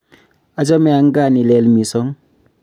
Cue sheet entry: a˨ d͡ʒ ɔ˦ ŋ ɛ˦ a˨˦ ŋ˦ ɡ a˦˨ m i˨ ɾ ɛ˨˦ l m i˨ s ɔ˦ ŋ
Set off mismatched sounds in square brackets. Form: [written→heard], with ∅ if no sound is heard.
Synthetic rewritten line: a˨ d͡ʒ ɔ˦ [ŋ→m] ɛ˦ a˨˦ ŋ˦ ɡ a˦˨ [m→n] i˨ [ɾ→l] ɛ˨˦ l m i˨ s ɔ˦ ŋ